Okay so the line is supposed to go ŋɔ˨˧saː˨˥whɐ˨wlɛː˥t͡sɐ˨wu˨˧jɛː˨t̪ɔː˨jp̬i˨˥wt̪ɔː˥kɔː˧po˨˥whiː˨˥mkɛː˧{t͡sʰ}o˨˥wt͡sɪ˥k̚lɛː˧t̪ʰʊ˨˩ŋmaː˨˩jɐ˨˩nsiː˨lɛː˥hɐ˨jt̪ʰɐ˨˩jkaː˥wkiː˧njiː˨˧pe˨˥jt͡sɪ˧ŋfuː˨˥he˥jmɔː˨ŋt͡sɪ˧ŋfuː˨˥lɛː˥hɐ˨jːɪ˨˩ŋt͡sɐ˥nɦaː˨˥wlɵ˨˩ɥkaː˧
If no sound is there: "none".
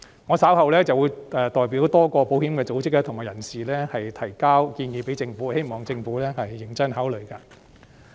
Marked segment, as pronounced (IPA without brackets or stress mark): t͡s